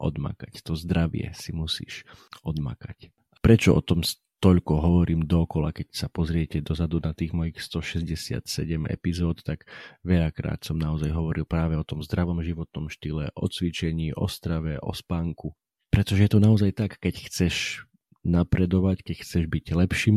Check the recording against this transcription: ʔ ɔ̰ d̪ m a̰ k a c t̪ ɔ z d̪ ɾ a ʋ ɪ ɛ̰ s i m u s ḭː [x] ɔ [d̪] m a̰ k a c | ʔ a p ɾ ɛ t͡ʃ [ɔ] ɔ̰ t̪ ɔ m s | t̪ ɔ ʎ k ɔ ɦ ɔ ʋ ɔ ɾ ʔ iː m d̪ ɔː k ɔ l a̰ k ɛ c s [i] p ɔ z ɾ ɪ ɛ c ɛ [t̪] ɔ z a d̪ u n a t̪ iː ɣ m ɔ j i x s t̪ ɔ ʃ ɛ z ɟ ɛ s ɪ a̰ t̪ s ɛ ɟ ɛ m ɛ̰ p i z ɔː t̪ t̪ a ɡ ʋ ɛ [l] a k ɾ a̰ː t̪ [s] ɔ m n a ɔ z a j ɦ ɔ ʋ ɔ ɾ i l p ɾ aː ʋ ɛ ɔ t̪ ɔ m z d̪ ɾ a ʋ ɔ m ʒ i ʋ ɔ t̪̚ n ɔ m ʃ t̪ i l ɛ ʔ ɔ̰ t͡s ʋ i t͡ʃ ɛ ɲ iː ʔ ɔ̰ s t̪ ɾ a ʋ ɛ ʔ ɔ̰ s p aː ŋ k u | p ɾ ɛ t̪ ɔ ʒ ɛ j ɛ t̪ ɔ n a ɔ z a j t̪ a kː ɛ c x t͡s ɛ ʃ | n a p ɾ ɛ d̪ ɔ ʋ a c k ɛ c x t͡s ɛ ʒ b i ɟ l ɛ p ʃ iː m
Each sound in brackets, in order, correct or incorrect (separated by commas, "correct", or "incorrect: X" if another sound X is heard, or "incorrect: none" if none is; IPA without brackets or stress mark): incorrect: ʃ, correct, correct, incorrect: a, incorrect: d̪, incorrect: ʎ, correct